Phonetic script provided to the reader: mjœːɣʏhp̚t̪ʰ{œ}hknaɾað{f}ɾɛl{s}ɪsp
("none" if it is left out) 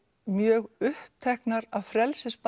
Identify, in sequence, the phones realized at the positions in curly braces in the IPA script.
ɛ, f, s

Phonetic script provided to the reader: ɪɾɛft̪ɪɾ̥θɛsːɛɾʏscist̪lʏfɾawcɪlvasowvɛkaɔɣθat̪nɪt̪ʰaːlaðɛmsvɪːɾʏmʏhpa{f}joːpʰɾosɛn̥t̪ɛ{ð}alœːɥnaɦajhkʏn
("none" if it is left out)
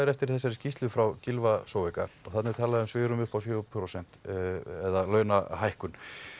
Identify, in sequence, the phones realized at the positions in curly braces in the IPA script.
f, ð

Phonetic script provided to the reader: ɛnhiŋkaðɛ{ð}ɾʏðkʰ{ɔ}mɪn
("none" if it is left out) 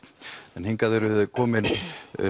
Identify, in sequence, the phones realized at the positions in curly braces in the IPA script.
none, ɔː

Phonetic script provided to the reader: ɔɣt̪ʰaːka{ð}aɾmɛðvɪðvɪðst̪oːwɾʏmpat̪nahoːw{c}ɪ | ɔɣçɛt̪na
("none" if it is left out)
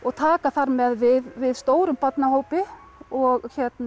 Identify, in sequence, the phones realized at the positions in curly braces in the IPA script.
θ, p

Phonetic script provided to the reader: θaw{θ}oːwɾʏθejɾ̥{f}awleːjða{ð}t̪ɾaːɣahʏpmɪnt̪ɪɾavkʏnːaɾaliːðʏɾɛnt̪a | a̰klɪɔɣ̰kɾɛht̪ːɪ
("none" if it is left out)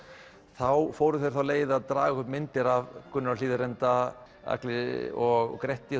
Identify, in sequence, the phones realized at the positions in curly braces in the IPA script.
f, θ, ð

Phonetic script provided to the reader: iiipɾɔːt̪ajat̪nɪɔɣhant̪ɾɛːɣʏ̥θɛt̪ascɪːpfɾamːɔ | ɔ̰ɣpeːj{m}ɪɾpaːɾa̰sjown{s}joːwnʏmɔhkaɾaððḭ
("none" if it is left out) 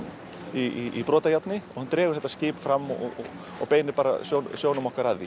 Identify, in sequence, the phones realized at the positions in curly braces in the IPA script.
n, s

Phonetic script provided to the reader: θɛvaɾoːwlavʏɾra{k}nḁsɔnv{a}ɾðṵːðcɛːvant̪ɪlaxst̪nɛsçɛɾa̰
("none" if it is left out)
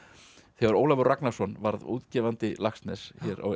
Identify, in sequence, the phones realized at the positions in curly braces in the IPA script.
k, a

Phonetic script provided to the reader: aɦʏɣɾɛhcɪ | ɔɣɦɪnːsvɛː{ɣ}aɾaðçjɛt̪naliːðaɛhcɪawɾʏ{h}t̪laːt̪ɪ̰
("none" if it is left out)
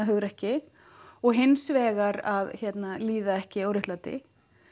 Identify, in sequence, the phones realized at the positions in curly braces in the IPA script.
ɣ, h

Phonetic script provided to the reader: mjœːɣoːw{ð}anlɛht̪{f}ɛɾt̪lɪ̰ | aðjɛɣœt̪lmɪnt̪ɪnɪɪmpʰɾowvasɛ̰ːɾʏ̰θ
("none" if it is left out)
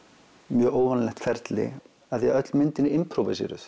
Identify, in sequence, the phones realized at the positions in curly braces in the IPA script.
v, f

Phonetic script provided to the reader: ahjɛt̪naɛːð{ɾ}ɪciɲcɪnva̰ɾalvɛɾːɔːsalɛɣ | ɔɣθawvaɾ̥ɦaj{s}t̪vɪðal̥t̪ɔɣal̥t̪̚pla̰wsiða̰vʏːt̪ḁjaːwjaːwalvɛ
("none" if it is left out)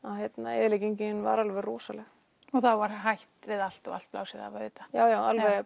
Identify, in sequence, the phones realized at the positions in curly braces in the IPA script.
l, h

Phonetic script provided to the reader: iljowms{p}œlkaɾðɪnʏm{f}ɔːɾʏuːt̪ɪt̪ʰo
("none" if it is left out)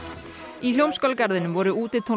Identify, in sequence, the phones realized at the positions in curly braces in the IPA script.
k, v

